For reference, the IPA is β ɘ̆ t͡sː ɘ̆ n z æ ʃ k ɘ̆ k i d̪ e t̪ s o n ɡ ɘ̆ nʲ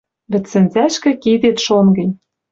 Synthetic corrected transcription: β ɘ̆ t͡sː ɘ̆ n z æ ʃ k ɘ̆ k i d̪ e t̪ ʃ o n ɡ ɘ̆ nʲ